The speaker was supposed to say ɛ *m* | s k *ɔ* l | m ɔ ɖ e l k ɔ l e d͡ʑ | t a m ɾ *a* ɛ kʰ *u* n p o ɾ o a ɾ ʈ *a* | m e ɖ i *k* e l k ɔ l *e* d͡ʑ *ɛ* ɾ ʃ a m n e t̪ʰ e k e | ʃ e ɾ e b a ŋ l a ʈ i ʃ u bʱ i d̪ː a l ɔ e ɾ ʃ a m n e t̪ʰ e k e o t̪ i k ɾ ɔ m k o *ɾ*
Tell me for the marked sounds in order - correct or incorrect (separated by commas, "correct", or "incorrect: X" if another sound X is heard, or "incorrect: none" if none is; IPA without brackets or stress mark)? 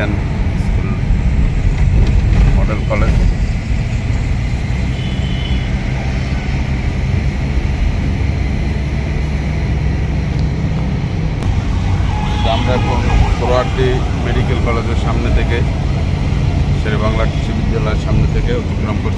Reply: incorrect: n, incorrect: u, correct, incorrect: o, incorrect: i, correct, correct, incorrect: e, correct